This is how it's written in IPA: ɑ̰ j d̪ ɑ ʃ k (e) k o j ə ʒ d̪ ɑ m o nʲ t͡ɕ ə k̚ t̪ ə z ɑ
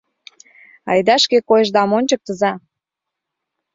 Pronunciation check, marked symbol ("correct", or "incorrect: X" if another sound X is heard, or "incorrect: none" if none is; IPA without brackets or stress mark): correct